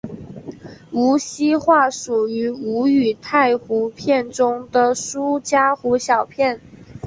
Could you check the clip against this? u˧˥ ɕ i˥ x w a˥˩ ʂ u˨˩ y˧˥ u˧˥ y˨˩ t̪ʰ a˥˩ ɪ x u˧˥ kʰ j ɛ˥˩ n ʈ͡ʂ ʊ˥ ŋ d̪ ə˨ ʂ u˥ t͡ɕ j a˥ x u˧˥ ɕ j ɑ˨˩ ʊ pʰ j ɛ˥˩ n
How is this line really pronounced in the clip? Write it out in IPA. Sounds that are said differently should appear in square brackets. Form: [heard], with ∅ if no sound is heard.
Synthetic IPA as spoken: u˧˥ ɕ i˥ x w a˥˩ ʂ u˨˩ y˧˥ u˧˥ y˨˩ t̪ʰ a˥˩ ɪ x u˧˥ [pʰ] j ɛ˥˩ n ʈ͡ʂ ʊ˥ ŋ d̪ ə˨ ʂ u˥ t͡ɕ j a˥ x u˧˥ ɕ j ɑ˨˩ ʊ pʰ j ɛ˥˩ n